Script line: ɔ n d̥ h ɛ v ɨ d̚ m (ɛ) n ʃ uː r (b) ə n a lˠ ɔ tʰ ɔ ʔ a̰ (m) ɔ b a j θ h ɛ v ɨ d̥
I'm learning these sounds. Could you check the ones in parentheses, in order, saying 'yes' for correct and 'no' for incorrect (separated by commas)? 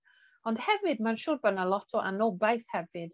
no, yes, no